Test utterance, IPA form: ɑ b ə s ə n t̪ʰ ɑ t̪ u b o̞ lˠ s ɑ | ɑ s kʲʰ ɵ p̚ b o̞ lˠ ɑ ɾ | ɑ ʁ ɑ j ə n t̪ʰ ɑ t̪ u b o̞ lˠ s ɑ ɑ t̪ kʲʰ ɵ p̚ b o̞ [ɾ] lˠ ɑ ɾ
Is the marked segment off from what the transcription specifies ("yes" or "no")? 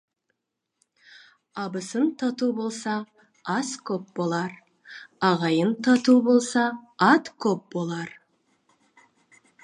yes